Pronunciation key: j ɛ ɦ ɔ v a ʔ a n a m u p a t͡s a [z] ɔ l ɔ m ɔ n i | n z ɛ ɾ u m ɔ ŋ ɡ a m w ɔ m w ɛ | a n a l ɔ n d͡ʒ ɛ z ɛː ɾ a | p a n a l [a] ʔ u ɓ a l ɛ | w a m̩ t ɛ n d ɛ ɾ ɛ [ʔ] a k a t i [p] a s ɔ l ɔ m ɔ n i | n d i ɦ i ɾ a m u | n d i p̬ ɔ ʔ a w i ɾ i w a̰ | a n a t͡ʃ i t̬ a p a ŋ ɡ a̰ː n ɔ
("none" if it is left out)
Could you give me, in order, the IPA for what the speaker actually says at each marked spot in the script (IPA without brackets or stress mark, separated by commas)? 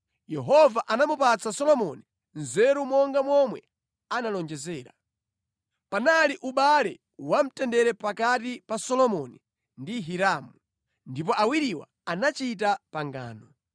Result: s, i, p, p